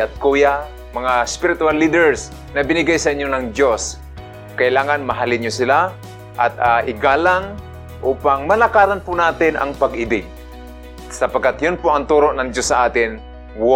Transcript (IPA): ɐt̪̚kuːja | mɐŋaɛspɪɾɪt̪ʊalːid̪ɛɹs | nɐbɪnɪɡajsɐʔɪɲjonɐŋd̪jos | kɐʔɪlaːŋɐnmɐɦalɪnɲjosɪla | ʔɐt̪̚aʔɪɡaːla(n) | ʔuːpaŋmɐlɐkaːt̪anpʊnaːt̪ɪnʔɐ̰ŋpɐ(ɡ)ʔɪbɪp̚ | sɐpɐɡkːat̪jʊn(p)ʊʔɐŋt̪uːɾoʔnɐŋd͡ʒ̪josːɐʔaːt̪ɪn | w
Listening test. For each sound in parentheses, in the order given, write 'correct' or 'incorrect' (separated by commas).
incorrect, correct, correct